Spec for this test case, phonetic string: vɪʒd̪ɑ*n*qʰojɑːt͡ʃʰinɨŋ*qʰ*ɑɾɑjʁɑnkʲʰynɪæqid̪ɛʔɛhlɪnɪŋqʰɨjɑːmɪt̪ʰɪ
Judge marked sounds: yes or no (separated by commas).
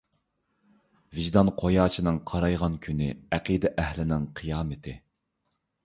yes, yes